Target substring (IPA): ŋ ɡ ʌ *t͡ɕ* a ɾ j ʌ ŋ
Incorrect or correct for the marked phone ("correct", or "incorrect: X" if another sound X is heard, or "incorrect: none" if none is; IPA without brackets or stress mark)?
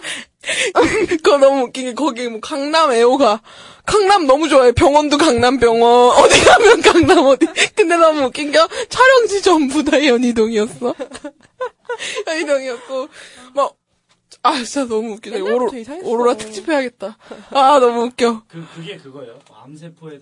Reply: incorrect: t͡ɕʰ